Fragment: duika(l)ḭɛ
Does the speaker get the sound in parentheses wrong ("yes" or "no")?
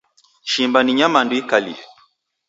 no